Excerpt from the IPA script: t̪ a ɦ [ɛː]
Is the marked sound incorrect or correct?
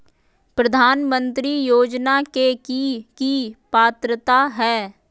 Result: correct